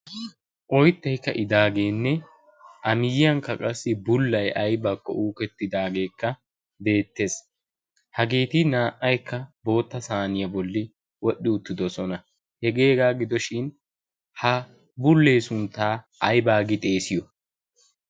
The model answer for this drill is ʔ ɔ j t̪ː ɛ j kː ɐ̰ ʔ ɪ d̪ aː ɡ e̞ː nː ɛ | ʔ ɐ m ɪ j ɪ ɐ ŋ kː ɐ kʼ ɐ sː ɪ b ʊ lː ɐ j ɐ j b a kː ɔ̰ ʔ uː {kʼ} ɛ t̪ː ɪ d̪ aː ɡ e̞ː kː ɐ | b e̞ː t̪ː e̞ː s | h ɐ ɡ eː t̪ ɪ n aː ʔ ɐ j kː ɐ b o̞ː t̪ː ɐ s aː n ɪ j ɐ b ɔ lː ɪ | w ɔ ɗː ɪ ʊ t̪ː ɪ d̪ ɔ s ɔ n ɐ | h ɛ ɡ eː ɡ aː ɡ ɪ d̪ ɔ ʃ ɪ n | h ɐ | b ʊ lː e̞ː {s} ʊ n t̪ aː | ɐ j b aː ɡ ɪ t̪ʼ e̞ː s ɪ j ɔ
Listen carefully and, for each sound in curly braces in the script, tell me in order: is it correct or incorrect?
incorrect, correct

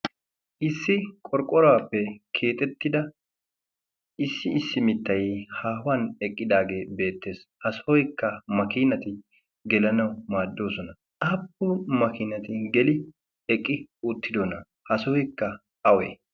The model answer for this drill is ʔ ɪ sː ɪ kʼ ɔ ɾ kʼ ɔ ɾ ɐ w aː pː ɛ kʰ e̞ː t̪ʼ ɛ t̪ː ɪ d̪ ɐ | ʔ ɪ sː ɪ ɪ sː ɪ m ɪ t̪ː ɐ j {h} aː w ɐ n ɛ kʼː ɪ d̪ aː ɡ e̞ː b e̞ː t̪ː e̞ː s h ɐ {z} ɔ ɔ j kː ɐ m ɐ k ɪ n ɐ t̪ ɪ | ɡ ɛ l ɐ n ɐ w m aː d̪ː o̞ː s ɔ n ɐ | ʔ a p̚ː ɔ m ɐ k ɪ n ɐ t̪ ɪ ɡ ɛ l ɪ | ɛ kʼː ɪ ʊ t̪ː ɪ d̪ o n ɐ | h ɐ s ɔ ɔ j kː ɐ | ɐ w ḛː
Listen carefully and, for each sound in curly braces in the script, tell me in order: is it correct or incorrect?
correct, incorrect

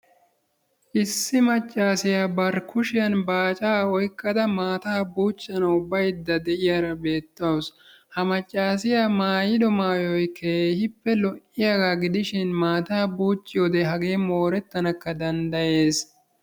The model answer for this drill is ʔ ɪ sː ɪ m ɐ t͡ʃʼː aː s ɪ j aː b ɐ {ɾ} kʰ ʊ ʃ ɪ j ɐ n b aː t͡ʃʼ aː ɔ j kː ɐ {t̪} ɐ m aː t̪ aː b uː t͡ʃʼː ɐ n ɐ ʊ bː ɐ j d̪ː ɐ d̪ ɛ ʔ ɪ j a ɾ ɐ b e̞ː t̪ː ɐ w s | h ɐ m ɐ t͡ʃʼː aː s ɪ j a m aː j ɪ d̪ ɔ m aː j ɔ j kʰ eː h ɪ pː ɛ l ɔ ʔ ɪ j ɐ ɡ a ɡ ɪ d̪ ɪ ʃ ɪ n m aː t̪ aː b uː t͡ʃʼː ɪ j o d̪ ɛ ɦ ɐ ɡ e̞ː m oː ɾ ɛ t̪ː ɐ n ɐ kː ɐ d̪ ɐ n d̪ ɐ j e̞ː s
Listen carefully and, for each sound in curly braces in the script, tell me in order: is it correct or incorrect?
correct, incorrect

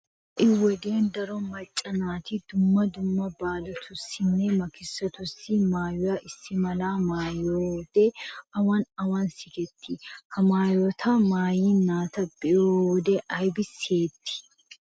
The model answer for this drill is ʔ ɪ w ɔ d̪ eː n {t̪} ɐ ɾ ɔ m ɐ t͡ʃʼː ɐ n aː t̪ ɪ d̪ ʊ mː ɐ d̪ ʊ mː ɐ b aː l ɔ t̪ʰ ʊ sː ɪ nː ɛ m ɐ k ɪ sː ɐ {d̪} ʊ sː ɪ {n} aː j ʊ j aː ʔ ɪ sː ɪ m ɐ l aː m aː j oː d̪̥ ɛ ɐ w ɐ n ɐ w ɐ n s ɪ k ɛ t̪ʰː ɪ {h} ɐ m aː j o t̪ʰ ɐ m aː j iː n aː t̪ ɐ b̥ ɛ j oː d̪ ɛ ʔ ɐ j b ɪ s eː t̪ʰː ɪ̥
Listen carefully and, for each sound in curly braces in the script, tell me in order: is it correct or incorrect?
incorrect, incorrect, incorrect, correct

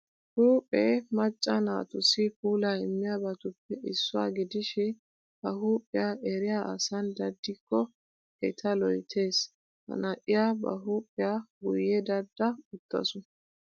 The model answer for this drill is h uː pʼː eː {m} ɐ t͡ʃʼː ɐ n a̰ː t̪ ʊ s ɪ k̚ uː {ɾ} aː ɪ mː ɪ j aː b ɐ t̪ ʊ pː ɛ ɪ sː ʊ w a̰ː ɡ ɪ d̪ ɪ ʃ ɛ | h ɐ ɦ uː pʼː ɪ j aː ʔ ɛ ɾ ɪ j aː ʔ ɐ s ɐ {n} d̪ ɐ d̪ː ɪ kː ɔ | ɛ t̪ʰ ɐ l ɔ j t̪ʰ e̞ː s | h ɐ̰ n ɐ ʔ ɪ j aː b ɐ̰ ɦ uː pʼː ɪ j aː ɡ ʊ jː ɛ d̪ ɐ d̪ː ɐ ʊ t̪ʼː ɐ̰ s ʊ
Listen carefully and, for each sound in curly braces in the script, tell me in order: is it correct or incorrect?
correct, incorrect, correct

